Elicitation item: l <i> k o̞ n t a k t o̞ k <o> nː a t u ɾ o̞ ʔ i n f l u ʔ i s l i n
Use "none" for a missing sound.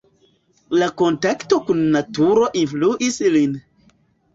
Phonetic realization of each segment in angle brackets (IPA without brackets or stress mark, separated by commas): a, u